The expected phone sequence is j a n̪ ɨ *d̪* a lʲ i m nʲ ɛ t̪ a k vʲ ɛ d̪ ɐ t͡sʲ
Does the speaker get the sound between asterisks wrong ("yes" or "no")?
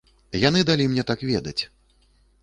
no